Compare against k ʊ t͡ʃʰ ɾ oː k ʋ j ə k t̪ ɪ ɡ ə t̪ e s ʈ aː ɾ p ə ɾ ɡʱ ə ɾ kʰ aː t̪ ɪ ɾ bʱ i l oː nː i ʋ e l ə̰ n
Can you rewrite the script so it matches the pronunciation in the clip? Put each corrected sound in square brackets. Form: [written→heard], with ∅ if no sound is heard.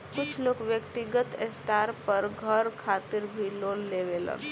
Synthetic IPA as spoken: k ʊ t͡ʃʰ [ɾ→l] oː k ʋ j ə k t̪ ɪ ɡ ə t̪ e s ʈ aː ɾ p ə ɾ ɡʱ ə ɾ kʰ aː t̪ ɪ ɾ bʱ i l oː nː [i→e] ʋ e l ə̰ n